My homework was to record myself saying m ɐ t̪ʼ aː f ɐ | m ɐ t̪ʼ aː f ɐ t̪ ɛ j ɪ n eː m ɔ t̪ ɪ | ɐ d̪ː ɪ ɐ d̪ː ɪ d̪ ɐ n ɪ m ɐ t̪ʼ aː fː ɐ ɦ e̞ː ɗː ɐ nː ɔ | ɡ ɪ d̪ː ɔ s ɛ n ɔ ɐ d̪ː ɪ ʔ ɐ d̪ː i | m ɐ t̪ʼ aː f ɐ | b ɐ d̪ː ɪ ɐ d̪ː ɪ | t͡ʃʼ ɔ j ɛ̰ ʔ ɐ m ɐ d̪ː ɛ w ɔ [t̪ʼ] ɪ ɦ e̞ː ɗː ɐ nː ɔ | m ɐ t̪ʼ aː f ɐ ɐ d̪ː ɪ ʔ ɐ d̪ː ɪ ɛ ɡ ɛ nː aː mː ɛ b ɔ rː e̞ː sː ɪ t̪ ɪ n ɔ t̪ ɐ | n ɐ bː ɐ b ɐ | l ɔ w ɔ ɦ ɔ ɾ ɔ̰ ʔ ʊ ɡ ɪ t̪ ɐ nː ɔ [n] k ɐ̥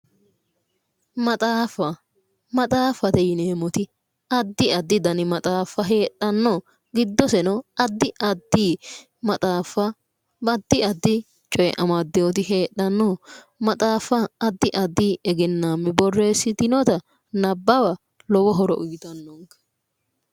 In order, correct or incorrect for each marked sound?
incorrect: t̪, incorrect: ŋ

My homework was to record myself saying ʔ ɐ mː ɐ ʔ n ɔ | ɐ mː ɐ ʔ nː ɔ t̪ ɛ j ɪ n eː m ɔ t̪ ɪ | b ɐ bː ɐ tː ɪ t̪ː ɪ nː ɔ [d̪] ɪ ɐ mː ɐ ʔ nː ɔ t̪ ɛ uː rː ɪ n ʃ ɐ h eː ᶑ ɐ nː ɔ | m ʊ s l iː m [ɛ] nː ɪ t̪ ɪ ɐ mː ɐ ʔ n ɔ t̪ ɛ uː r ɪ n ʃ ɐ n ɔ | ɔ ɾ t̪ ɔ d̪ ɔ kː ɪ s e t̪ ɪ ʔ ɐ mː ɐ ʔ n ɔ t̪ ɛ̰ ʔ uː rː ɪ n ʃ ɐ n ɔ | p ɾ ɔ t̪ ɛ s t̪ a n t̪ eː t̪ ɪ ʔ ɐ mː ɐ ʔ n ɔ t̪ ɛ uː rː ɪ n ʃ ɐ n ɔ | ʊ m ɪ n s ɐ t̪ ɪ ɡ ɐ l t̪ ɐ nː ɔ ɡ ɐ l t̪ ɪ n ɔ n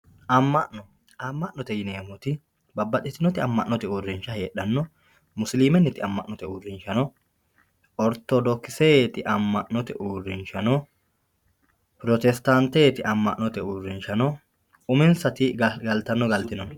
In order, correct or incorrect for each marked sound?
incorrect: t̪, correct

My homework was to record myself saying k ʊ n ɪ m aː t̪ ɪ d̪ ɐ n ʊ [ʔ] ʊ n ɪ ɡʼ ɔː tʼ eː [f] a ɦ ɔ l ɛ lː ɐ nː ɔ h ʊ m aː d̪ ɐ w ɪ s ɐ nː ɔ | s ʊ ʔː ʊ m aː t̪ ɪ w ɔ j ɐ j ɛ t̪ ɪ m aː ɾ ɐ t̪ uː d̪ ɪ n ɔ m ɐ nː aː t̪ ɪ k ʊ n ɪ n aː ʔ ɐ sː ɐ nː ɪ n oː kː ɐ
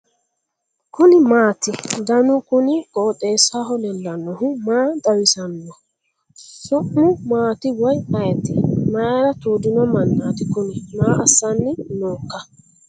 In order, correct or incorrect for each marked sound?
incorrect: k, incorrect: s

